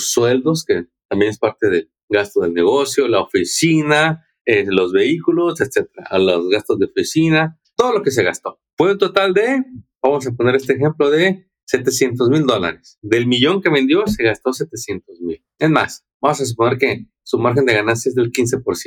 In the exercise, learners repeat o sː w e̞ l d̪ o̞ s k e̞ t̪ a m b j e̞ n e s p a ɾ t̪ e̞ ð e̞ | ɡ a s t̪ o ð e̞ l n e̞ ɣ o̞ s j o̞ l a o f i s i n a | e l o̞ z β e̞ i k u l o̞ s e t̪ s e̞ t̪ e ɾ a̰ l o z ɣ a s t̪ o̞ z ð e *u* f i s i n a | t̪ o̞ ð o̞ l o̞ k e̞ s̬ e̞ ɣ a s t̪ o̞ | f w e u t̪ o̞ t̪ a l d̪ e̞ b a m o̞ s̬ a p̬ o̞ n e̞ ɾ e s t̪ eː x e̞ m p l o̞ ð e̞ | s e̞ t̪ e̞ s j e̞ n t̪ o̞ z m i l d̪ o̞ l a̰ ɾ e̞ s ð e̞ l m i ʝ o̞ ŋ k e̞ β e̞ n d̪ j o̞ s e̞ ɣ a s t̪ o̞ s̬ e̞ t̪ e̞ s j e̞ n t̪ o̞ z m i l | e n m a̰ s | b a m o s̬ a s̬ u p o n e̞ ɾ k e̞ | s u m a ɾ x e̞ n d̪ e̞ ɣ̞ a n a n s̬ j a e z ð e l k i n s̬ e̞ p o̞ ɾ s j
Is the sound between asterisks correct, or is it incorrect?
incorrect